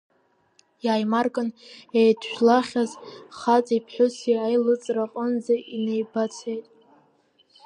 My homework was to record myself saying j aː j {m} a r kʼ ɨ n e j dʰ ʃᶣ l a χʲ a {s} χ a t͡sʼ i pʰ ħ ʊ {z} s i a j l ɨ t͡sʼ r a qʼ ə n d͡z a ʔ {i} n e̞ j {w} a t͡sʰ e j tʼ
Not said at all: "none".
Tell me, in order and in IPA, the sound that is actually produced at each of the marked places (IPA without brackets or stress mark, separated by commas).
m, z, none, i, b